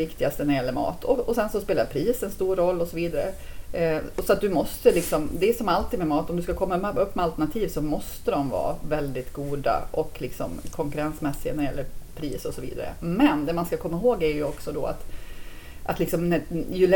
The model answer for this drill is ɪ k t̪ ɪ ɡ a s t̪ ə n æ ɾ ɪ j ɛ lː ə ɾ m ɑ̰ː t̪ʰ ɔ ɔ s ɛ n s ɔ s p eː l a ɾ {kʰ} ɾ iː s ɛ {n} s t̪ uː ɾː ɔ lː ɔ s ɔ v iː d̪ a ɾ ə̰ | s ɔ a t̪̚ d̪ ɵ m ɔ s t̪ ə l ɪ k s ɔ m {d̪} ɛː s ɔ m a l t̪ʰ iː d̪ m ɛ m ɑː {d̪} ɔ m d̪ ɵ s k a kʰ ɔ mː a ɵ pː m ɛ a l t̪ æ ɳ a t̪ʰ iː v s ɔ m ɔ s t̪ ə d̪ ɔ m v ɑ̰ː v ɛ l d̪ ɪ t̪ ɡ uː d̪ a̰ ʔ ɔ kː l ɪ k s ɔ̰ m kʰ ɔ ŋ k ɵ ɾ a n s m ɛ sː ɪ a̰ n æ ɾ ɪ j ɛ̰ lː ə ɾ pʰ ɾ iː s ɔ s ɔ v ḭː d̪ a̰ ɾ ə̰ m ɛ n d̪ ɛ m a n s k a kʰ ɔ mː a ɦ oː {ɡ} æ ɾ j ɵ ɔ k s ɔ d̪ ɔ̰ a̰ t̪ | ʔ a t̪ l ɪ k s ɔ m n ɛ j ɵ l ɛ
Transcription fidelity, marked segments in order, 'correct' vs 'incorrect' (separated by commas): incorrect, correct, correct, incorrect, correct